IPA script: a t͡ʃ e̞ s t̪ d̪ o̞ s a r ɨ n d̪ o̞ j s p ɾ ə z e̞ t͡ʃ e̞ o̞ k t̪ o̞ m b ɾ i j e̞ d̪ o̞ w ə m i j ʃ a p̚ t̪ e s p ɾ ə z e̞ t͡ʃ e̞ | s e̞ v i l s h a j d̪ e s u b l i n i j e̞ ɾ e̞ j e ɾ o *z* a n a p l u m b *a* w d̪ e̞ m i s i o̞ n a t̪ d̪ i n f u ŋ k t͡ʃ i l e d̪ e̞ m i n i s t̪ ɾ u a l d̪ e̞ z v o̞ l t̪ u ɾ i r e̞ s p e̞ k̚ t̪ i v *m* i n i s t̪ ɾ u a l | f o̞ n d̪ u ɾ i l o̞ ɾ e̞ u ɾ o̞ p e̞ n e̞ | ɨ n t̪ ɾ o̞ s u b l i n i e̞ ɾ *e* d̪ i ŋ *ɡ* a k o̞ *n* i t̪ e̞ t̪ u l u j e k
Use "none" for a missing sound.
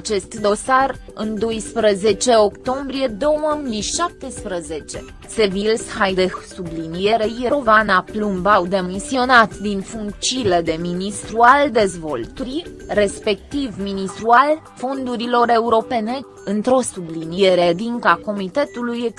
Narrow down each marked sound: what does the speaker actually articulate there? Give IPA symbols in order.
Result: v, a, m, e, k, m

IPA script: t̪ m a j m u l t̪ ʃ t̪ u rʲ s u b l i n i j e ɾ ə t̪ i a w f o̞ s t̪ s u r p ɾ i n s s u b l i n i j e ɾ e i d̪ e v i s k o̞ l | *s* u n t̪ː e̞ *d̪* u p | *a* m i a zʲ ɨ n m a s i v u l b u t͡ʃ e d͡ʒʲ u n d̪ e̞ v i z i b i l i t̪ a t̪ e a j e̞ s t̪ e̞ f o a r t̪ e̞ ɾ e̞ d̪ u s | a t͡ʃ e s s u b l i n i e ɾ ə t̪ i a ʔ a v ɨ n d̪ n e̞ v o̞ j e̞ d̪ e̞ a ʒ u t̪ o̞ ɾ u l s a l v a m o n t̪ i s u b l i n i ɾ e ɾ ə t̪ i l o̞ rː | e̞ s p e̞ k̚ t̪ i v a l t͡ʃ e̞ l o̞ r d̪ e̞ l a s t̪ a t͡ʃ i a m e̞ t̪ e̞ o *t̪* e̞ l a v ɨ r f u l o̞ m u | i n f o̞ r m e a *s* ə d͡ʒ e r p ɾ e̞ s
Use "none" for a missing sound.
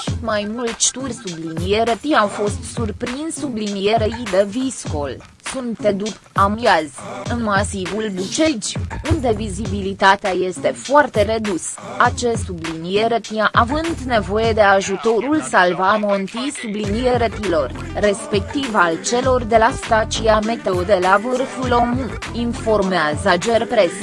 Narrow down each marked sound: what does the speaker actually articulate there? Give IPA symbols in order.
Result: s, d̪, a, d̪, z

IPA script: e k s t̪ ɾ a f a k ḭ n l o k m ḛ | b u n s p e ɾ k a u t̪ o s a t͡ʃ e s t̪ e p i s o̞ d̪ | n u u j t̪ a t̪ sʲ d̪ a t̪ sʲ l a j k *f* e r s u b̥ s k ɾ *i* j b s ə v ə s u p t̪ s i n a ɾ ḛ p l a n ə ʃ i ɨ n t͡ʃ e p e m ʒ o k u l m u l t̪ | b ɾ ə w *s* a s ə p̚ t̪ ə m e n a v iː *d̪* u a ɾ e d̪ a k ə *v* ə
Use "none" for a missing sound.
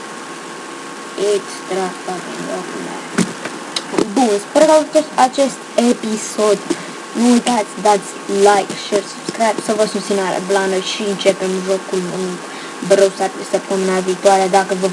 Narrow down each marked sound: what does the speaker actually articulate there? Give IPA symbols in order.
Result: ʃ, a, s, t̪, v

